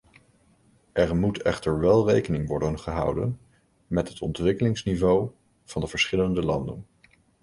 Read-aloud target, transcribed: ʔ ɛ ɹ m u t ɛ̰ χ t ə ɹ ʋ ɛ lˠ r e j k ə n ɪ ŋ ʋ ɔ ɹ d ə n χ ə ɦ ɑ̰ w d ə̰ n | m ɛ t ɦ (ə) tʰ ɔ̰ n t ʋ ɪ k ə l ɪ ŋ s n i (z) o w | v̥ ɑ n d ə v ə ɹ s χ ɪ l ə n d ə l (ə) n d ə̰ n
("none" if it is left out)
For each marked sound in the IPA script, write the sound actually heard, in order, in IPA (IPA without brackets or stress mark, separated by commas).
ə, v, ɑ